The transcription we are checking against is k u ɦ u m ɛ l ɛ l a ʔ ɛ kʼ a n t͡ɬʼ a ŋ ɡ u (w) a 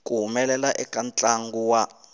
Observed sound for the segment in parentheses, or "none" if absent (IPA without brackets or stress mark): w